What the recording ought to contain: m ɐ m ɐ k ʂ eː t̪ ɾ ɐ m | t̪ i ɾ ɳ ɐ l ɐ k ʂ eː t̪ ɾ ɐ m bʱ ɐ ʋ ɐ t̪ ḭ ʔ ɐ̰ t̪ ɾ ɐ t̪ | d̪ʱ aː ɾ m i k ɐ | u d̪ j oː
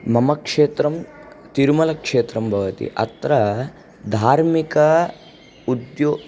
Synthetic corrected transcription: m ɐ m ɐ k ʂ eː t̪ ɾ ɐ m | t̪ i ɾ m ɐ l ɐ k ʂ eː t̪ ɾ ɐ m bʱ ɐ ʋ ɐ t̪ ḭ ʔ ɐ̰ t̪ ɾ ɐ | d̪ʱ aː ɾ m i k ɐ | u d̪ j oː